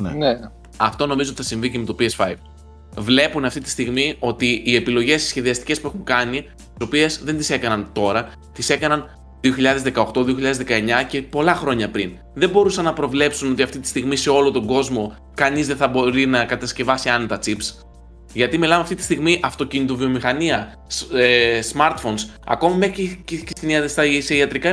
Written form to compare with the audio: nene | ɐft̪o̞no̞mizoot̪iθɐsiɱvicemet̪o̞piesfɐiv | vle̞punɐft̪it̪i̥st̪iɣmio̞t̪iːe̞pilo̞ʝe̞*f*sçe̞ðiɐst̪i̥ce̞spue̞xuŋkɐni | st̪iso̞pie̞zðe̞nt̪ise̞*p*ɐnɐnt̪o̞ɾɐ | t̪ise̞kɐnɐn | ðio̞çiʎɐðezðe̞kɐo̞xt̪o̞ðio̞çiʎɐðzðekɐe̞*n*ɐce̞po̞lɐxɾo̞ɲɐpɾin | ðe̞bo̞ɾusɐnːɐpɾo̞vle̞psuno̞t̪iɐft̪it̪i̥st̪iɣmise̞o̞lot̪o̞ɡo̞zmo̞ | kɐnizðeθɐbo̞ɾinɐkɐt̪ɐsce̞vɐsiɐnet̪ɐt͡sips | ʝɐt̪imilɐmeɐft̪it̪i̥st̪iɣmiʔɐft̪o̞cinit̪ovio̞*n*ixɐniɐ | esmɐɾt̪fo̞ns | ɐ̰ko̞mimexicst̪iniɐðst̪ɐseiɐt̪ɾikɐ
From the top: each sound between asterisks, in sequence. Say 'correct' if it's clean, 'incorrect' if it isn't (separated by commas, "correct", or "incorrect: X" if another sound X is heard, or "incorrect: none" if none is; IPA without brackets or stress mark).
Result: incorrect: s, incorrect: k, incorrect: ɲ, incorrect: m